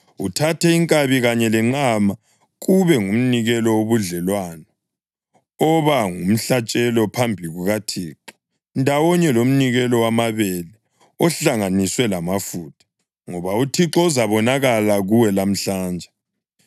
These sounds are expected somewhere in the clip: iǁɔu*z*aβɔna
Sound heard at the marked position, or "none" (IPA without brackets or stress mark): z